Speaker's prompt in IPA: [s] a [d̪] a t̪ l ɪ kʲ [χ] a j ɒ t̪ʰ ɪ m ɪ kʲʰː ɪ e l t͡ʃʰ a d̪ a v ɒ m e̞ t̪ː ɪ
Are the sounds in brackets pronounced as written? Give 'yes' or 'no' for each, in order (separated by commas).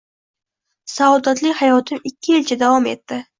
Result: yes, yes, no